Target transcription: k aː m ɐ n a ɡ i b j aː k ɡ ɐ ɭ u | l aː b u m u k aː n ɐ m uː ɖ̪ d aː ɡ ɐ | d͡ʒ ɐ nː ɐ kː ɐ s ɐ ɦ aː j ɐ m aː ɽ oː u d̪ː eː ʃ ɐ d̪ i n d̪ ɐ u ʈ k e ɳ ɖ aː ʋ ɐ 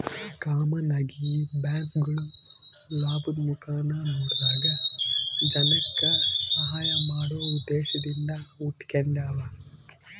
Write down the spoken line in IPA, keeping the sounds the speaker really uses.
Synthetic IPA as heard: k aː m ɐ n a ɡ i b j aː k ɡ ɐ ɭ u | l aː b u m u k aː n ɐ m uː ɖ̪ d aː ɡ ɐ | d͡ʒ ɐ n ɐ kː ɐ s ɐ ɦ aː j ɐ m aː ɽ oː u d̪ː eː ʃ ɐ d̪ i n d̪ ɐ u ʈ k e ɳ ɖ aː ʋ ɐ